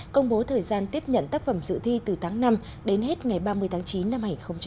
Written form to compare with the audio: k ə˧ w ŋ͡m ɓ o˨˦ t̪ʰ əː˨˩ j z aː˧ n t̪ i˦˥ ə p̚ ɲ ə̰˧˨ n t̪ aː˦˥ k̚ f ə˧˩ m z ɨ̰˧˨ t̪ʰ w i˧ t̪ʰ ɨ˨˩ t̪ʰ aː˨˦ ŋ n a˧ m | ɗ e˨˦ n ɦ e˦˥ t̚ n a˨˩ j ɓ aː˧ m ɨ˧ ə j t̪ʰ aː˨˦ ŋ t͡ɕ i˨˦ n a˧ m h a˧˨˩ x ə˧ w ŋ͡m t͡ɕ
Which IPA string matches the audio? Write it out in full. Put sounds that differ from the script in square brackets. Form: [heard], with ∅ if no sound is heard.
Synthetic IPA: k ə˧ w ŋ͡m ɓ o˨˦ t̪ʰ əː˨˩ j z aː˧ n t̪ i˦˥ ə p̚ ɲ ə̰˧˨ n t̪ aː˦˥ k̚ f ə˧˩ m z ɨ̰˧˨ t̪ʰ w i˧ [t̪] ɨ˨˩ t̪ʰ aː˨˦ ŋ n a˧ m | ɗ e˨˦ n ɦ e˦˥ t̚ [ŋ] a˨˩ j ɓ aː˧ m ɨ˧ ə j t̪ʰ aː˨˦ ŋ t͡ɕ i˨˦ [nː] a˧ m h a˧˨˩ x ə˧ w ŋ͡m t͡ɕ